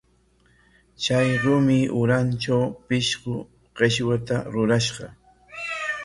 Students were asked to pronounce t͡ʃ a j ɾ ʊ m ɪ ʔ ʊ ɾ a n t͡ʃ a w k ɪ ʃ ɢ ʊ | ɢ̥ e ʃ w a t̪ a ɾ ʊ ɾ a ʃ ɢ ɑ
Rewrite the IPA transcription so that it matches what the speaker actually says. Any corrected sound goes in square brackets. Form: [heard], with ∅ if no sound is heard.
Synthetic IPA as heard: t͡ʃ a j ɾ ʊ m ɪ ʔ ʊ ɾ a n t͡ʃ a w [p] ɪ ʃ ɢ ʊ | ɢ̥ e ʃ w a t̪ a ɾ ʊ ɾ a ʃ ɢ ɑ